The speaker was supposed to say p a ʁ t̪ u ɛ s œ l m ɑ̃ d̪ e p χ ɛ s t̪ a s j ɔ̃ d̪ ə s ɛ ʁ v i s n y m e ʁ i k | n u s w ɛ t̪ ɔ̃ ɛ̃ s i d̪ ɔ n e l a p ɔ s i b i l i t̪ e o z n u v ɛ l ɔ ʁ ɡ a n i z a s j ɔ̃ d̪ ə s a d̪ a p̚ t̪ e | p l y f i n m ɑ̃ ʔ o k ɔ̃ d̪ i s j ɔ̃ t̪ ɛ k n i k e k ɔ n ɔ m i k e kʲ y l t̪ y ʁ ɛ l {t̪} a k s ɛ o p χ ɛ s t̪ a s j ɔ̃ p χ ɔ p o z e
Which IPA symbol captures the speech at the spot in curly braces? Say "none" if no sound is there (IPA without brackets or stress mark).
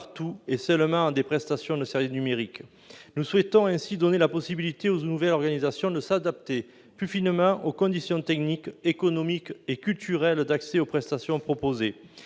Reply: d̪